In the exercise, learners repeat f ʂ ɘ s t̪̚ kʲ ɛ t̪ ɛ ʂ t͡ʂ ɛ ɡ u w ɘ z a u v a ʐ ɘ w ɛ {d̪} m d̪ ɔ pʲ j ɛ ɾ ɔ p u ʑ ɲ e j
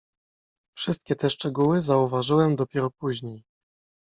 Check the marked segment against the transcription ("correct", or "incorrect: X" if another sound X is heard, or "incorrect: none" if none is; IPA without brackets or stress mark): incorrect: none